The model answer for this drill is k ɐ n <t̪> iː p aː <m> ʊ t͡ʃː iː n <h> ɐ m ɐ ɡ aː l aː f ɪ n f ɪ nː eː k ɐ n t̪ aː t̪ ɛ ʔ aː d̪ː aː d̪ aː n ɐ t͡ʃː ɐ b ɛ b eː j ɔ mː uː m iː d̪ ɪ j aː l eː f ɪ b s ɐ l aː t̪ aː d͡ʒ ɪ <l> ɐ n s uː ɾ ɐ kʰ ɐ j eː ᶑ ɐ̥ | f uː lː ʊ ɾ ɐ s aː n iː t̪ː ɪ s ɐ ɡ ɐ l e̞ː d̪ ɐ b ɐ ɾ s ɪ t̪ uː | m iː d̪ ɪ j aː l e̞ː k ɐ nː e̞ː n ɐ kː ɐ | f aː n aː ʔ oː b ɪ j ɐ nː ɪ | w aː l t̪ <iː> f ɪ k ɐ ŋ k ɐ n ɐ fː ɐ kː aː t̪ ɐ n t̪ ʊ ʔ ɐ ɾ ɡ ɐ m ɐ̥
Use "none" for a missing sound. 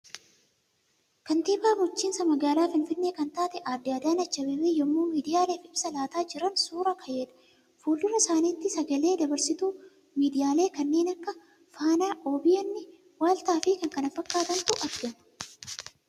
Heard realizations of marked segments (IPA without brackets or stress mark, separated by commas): t̪, m, s, ɾ, aː